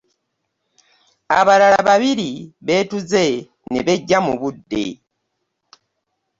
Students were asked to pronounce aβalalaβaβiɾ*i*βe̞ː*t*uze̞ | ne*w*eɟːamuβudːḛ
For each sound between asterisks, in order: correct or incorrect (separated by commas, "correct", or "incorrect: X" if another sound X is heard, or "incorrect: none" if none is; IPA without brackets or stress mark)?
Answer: correct, correct, incorrect: β